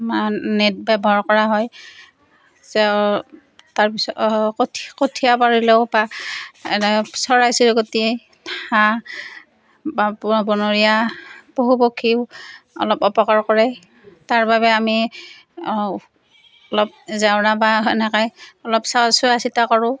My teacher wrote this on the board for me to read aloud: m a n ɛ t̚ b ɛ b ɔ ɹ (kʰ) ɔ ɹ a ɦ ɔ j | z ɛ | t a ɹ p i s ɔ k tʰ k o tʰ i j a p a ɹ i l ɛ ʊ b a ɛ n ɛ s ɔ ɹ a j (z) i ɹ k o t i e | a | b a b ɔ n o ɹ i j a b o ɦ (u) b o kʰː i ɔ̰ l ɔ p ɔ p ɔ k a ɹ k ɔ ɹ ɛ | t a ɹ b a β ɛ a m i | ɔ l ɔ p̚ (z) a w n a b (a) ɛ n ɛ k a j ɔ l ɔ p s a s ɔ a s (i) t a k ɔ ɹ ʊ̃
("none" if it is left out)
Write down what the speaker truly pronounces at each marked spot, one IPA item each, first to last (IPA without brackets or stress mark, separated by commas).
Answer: k, s, u, z, a, i